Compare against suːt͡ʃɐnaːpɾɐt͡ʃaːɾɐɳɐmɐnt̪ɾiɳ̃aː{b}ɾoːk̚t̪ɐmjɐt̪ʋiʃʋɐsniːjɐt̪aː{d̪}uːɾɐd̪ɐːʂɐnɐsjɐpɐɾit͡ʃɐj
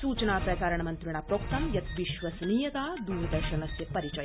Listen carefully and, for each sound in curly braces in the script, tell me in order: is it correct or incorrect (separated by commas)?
incorrect, correct